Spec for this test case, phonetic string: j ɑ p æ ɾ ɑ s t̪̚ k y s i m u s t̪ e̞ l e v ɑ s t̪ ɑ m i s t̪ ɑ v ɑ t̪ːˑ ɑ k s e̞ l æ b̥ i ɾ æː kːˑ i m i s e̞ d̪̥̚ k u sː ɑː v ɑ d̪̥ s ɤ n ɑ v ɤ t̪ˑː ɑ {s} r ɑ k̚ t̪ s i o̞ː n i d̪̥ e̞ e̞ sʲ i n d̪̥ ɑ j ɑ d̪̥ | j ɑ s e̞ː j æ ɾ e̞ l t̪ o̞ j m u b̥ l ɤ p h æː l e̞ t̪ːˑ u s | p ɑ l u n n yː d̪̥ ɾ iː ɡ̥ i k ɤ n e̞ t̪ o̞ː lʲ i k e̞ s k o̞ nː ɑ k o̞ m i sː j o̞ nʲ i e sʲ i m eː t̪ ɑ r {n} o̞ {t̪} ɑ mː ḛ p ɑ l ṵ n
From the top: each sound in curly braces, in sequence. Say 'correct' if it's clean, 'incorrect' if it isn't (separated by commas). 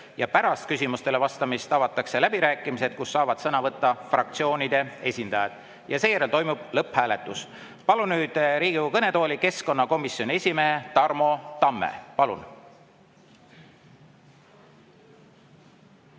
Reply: incorrect, incorrect, correct